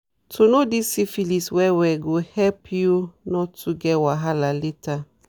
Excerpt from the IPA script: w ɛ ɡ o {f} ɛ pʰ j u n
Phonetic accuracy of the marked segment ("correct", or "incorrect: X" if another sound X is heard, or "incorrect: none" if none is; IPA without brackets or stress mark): incorrect: h